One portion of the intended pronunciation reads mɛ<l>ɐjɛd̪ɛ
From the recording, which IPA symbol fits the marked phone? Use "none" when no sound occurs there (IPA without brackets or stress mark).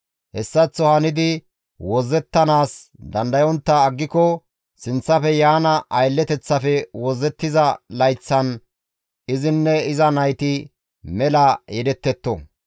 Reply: l